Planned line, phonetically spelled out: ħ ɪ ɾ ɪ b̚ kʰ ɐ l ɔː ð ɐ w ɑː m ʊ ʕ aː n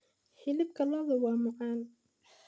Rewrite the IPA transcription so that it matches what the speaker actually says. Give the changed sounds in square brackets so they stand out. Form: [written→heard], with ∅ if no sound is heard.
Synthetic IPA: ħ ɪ [ɾ→l] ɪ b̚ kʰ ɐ l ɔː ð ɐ w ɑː m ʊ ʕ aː n